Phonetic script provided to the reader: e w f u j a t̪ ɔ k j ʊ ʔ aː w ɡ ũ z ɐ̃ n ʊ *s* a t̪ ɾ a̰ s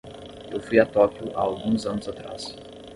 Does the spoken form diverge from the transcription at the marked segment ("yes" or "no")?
yes